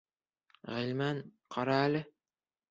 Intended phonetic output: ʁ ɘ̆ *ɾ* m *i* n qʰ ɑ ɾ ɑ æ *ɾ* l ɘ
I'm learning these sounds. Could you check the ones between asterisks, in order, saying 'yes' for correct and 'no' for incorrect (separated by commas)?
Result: no, no, no